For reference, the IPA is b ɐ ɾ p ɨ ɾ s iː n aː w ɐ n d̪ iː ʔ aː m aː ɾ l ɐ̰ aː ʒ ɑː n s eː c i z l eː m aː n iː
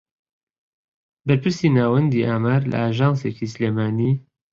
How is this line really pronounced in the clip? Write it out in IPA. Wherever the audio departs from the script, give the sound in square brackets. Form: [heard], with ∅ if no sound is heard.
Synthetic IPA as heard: b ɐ ɾ p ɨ ɾ s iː n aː w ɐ n d̪ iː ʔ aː m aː ɾ l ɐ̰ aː ʒ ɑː n s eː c i [s] l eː m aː n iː